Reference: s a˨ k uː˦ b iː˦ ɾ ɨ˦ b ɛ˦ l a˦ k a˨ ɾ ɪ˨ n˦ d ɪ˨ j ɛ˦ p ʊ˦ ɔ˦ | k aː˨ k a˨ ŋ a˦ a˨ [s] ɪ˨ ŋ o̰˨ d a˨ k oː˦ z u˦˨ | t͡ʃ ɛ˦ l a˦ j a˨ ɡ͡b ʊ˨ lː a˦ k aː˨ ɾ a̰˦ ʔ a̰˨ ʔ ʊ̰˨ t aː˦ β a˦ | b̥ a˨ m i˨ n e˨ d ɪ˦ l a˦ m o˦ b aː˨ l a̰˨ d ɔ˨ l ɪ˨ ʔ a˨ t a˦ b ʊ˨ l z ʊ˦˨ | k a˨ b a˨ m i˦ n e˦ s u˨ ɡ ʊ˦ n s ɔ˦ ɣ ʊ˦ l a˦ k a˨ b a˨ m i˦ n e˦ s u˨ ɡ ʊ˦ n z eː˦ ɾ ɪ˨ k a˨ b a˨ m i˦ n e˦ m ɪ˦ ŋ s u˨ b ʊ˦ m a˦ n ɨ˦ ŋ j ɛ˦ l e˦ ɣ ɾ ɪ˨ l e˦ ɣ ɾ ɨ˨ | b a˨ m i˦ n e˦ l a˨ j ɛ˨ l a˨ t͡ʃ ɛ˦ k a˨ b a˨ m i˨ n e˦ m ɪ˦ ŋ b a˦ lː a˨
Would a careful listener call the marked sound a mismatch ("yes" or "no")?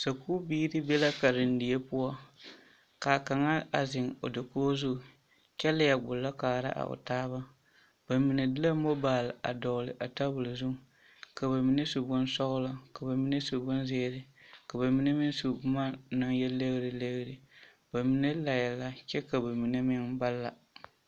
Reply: yes